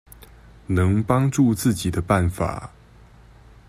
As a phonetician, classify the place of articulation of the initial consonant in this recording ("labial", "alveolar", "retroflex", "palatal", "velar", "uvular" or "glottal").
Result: alveolar